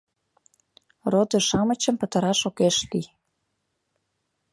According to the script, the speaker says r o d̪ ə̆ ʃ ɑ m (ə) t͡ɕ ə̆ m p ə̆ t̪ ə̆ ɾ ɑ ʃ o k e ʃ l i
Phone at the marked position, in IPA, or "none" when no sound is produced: ə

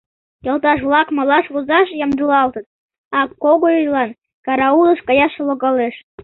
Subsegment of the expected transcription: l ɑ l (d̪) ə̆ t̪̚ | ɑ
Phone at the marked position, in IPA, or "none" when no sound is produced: t̪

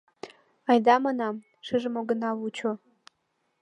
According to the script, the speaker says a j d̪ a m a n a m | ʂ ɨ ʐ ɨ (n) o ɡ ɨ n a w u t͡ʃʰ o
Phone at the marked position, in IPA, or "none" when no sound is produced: m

